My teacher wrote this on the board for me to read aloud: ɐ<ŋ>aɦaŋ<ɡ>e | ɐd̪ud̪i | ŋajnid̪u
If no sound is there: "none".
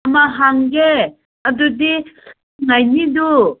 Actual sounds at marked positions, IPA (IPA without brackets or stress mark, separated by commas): m, ɡ